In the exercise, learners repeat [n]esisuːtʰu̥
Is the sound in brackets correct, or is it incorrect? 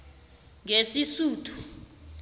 incorrect